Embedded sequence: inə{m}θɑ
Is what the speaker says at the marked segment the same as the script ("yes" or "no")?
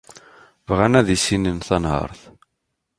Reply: no